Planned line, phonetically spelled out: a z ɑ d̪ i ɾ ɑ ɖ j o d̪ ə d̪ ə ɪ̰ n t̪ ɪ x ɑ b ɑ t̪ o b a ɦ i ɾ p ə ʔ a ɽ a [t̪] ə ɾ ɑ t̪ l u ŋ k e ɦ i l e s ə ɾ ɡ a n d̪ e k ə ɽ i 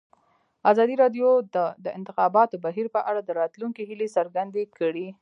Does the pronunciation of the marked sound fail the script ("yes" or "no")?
yes